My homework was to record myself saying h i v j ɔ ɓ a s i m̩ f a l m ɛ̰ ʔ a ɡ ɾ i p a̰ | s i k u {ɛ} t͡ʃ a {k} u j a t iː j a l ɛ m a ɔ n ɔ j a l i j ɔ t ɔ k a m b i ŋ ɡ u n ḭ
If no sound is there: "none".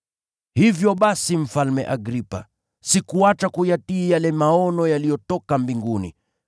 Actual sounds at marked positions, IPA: a, k

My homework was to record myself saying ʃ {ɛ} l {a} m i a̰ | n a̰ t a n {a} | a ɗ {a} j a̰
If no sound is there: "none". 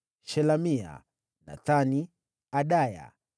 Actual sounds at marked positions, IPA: ɛ, a, i, a

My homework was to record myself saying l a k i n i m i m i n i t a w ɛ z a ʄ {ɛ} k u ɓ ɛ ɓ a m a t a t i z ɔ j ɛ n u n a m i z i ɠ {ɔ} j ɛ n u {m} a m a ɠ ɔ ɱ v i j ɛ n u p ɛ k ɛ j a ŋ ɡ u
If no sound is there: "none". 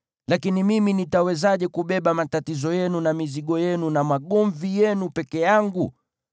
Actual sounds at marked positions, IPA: ɛ, ɔ, n

